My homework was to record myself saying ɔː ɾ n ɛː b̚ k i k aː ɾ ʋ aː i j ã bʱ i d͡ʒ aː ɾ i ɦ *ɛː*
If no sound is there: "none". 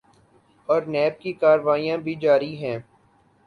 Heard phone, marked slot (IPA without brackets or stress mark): ɛ̃ː